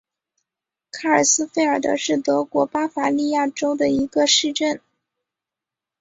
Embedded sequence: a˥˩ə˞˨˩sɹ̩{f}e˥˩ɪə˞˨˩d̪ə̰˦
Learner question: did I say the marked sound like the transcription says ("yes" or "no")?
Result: yes